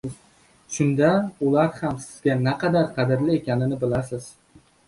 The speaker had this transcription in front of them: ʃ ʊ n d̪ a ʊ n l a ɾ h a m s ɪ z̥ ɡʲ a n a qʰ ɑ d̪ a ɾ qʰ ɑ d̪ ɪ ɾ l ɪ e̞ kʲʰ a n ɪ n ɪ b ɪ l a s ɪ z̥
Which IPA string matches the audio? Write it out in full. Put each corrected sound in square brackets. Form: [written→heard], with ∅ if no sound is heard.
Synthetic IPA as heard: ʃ ʊ n d̪ a ʊ [n→∅] l a ɾ h a m s ɪ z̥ ɡʲ a n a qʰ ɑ d̪ a ɾ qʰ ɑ d̪ ɪ ɾ l ɪ e̞ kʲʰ a n ɪ n ɪ b ɪ l a s ɪ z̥